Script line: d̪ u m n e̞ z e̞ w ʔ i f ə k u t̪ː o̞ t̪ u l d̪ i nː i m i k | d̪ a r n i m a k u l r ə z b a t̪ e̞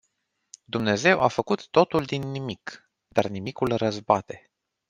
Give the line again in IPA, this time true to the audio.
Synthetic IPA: d̪ u m n e̞ z e̞ w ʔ a f ə k u t̪ː o̞ t̪ u l d̪ i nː i m i k | d̪ a r n i m i k u l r ə z b a t̪ e̞